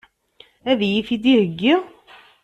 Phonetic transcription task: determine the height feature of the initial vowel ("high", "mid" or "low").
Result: low